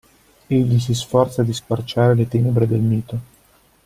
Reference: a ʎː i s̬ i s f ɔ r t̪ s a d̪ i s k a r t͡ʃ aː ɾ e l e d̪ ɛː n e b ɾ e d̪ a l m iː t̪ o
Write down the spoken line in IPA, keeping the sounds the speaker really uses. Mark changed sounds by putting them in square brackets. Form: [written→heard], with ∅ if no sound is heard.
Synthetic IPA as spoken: [a→e] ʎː i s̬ i s f ɔ r t̪ s a d̪ i s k a r t͡ʃ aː ɾ e l e [d̪→t̪] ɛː n e b ɾ e d̪ [a→e] l m iː t̪ o